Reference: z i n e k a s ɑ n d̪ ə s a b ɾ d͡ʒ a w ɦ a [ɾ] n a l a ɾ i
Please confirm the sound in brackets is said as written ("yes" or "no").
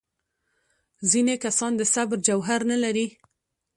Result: yes